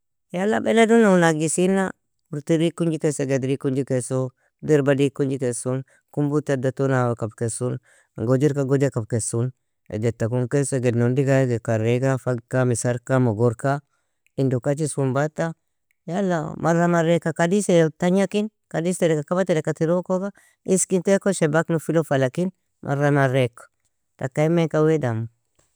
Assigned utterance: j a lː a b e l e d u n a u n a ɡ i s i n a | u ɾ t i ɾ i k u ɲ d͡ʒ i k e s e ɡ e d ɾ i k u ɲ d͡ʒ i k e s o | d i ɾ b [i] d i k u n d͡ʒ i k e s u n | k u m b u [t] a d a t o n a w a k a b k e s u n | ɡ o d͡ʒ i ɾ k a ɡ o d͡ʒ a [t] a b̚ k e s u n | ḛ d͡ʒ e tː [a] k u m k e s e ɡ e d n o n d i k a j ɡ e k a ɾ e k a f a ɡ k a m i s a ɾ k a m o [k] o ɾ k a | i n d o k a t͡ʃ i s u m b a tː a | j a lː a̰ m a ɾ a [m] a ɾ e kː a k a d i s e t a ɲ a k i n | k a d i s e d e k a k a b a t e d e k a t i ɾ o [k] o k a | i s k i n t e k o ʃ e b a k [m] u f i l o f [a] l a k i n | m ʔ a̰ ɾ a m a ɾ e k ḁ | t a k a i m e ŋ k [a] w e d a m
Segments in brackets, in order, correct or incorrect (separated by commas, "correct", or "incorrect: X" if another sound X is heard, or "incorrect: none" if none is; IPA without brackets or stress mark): incorrect: a, correct, incorrect: k, correct, incorrect: ɡ, correct, correct, incorrect: n, correct, correct